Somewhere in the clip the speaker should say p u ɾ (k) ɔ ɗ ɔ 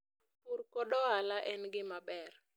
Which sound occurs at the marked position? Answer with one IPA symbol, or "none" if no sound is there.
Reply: k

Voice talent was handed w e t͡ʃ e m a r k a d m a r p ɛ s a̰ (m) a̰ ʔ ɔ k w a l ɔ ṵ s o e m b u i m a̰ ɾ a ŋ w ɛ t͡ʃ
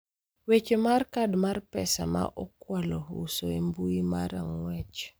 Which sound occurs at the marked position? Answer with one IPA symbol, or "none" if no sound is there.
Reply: m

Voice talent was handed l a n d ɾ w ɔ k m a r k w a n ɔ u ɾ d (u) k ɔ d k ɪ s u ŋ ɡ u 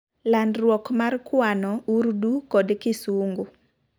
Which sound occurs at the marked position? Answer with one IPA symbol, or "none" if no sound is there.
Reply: u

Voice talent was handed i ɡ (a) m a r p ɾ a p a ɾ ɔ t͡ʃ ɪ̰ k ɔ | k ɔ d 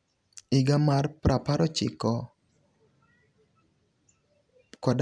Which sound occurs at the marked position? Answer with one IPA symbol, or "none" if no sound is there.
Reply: a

